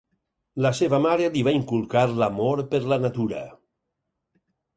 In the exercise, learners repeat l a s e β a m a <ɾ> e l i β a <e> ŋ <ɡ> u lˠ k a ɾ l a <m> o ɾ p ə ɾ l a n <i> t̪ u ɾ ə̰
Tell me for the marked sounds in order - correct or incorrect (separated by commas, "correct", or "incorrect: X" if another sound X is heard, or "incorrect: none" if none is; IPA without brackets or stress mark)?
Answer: correct, incorrect: i, incorrect: k, correct, incorrect: a